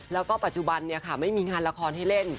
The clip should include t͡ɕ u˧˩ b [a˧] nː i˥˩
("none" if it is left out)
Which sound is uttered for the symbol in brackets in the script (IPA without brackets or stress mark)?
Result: a˧